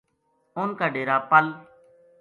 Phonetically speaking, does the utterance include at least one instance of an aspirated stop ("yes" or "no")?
no